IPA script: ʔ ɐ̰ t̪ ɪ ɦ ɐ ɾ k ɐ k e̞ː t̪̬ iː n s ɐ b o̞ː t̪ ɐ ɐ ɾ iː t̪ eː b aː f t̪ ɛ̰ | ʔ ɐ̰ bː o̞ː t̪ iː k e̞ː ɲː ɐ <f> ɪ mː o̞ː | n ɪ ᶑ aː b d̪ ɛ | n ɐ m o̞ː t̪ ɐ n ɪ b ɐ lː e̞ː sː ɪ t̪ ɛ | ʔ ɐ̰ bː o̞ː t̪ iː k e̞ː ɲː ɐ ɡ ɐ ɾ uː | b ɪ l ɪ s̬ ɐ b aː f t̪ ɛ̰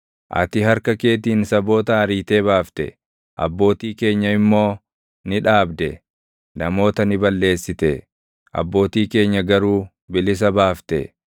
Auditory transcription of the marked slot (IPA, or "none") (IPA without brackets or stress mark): none